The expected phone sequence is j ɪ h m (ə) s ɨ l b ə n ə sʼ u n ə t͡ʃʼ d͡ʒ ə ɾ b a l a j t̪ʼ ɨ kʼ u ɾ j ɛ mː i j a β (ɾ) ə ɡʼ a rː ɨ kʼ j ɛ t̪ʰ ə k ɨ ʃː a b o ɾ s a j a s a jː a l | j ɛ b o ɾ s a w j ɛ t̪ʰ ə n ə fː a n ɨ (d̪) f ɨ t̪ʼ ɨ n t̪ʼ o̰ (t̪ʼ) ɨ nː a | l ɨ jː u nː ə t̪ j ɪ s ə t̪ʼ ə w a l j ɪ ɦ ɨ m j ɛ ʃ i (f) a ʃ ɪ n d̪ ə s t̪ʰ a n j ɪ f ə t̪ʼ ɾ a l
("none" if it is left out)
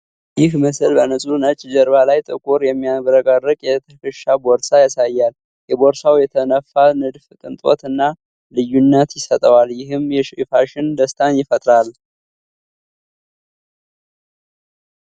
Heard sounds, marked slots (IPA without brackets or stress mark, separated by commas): ə, ɾ, d̪, t̪, f